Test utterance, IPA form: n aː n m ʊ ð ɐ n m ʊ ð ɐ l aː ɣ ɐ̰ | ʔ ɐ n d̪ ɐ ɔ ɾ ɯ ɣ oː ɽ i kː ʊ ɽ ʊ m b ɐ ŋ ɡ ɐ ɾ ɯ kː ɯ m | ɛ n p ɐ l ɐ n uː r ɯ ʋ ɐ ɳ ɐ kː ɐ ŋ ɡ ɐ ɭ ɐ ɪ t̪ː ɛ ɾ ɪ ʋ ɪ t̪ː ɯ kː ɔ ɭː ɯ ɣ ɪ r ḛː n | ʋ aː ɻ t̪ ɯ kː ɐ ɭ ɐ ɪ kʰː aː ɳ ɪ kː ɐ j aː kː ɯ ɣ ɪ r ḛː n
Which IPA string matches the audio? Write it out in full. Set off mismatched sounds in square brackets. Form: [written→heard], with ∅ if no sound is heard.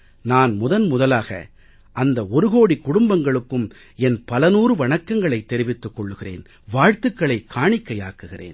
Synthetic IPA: n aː n m ʊ ð ɐ n m ʊ ð ɐ l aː ɣ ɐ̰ | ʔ ɐ n d̪ ɐ ɔ ɾ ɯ ɣ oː ɽ i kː ʊ ɽ ʊ m b ɐ ŋ ɡ ɐ [ɾ→ɭ] ɯ kː ɯ m | ɛ n p ɐ l ɐ n uː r ɯ ʋ ɐ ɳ ɐ kː ɐ ŋ ɡ ɐ ɭ ɐ ɪ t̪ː ɛ ɾ ɪ ʋ ɪ t̪ː ɯ kː ɔ ɭː ɯ ɣ ɪ r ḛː n | ʋ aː ɻ t̪ ɯ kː ɐ ɭ ɐ ɪ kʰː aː ɳ ɪ kː ɐ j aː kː ɯ ɣ ɪ r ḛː n